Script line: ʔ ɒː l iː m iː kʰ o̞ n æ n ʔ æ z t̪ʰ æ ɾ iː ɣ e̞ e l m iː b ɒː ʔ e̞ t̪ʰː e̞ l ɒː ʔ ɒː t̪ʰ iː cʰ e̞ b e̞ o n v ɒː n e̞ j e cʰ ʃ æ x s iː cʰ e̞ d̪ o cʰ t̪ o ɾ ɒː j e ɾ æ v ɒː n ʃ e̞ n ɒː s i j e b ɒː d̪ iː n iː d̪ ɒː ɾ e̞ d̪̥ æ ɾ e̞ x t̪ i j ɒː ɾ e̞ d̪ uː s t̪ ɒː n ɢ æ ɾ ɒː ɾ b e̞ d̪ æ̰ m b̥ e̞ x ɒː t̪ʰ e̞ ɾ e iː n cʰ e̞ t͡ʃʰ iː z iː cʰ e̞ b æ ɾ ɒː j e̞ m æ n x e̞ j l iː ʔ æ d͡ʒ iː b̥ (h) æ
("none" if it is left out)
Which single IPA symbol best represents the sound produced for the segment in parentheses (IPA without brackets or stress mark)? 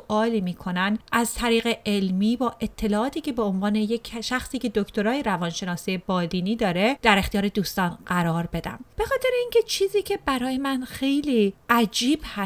h